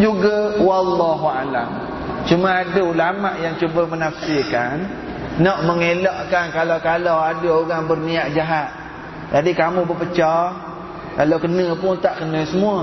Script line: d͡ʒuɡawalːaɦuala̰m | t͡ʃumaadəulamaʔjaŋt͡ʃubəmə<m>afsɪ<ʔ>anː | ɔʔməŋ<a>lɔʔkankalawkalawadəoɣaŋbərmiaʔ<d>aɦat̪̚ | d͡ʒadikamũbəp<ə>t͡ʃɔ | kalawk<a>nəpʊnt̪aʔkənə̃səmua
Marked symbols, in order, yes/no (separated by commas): no, no, no, no, yes, no